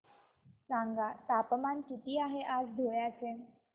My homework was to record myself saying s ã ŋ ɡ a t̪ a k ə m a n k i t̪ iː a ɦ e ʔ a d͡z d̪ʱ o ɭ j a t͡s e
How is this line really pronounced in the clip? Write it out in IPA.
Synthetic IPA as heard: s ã ŋ ɡ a t̪ a p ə m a n k i t̪ iː a ɦ e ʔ a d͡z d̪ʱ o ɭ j a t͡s e